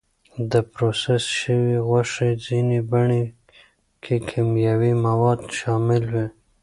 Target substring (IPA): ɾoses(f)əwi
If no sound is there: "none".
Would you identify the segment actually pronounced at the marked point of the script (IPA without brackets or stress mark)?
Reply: ʃ